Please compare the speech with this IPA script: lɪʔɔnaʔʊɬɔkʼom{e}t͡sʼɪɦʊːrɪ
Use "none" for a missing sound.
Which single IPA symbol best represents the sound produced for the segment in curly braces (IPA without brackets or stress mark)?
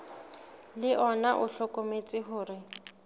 e